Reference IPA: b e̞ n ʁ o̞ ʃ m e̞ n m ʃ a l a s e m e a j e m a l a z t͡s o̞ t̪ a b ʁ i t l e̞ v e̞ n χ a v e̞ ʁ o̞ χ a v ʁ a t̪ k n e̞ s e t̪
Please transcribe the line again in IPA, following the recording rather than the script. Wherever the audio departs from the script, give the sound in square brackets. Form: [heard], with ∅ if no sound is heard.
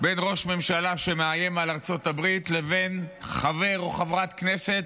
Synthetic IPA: b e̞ n ʁ o̞ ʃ m e̞ [∅] m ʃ a l a [ʃ] e m e a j e m a l a [ʁ] t͡s o̞ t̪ a b ʁ i t l e̞ v e̞ n χ a v e̞ ʁ o̞ χ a v ʁ a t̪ k n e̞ s e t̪

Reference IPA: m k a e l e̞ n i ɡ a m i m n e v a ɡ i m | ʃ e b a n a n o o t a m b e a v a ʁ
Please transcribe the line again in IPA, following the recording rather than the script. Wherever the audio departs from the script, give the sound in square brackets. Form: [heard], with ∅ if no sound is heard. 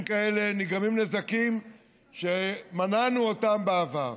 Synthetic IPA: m k a e l e̞ n i ɡ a m i m n e [z] a [k] i m | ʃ e [m] a n a n [u] o t a m b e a v a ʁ

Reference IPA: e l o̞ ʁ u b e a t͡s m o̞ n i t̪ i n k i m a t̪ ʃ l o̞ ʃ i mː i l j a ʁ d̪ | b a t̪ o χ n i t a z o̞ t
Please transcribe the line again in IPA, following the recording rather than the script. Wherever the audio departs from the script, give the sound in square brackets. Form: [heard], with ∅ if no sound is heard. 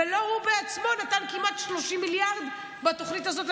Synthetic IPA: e l o̞ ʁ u b e a t͡s m o̞ n [a] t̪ [a] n k i m a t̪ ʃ l o̞ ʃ i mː i l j a ʁ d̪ | b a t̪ o χ n i t a z o̞ t

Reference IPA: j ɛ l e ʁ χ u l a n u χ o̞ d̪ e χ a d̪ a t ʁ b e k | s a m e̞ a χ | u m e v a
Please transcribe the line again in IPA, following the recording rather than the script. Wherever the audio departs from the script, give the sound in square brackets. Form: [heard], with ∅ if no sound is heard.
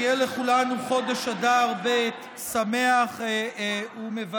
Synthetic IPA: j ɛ l e [∅] χ u l a n u χ o̞ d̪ e [ʃ] a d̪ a [∅] ʁ b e [t] | s a m e̞ a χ | u m e v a

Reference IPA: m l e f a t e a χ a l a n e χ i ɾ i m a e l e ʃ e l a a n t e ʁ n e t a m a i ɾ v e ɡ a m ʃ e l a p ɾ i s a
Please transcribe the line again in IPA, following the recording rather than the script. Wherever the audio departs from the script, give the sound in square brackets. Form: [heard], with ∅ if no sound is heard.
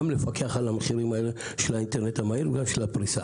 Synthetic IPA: m l e f a [k] e a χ a l a [m] e χ i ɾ i m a e l e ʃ e l a [i] n t e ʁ n e t a m a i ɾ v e ɡ a m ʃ e l a p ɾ i s a

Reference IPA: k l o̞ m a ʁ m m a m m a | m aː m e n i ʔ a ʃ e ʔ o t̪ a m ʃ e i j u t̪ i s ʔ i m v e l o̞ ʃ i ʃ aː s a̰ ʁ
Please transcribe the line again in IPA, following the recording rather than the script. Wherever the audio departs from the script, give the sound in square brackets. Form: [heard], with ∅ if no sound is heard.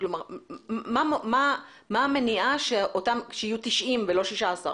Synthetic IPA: k l o̞ m a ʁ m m a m m a | m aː m e n i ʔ a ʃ e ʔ o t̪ a m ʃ e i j u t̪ i [ʃ] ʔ i m v e l o̞ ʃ i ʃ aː s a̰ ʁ

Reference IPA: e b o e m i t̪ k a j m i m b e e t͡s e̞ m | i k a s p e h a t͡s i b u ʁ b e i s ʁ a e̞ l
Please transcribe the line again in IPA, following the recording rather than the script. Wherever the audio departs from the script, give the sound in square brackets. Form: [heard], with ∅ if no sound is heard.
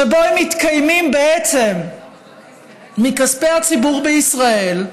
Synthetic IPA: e b o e m i t̪ k a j m i m b e e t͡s e̞ m | i k a s p e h a t͡s i b u ʁ b e i s ʁ a e̞ l

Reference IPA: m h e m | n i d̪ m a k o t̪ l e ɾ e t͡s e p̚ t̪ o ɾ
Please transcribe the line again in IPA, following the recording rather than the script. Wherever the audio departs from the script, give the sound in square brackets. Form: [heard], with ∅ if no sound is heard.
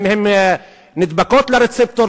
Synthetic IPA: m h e m | n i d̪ [b] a k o t̪ l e ɾ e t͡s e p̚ t̪ o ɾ

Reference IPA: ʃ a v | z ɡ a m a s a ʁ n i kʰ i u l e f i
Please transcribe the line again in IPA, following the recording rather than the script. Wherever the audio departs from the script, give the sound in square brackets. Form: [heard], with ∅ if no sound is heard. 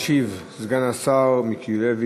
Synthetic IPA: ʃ [i] v | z ɡ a [n] a s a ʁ [m] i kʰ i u l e [v] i

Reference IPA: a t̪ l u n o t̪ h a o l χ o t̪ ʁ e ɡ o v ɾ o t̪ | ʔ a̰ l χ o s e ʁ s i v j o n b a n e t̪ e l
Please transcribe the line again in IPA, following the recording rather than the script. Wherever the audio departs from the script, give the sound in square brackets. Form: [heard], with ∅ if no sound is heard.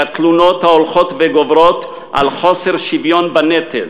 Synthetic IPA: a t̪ l u n o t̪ h a o l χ o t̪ [v] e ɡ o v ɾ o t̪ | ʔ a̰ l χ o s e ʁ [ʃ] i v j o n b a n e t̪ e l

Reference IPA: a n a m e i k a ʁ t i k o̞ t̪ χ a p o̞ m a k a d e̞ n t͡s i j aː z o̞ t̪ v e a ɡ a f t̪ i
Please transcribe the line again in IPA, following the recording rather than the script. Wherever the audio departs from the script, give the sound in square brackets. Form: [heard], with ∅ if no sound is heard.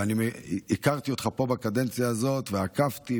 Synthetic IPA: a n [i] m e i k a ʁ t i [∅] o̞ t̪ χ a p o̞ [b] a k a d e̞ n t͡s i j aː z o̞ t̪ v e a [k] a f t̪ i

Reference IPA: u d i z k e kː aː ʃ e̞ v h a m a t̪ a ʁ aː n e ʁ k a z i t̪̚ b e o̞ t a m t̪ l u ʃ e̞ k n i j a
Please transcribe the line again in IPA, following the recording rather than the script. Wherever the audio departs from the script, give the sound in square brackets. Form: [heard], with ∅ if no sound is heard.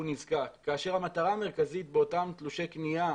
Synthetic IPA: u [n] i z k [a] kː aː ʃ e̞ [ʁ] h a m a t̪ a ʁ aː [m] e ʁ k a z i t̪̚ b e o̞ t a m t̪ l u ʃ e̞ k n i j a

